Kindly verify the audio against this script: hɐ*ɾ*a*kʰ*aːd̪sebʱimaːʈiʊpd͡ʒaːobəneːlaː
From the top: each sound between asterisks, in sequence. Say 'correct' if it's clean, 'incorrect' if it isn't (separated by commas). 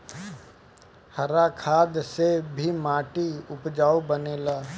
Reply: correct, correct